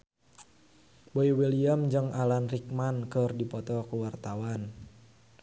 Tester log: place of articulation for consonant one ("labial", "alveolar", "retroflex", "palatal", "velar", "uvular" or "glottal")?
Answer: labial